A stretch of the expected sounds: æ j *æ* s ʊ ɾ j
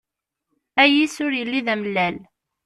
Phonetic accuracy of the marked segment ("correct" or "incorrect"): incorrect